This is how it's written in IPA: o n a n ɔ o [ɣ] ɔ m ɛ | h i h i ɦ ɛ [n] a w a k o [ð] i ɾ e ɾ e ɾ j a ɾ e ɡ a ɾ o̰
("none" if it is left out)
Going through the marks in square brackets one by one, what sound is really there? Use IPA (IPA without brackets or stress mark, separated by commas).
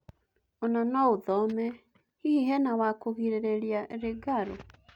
ð, n, ɣ